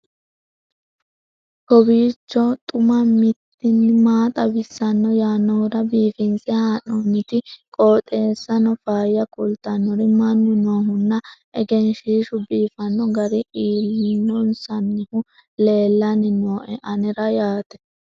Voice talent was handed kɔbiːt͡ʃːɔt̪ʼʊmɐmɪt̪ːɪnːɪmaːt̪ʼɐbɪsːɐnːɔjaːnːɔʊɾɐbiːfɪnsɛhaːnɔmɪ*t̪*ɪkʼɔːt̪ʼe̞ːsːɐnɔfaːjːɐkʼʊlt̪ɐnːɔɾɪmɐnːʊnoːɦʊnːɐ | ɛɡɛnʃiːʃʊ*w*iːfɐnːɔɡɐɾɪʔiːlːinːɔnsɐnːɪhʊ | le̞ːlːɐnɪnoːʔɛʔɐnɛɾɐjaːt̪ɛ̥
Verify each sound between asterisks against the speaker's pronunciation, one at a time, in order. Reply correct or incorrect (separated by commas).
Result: correct, incorrect